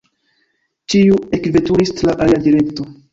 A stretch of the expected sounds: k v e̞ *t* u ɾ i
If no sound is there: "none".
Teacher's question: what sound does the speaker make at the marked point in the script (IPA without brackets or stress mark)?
t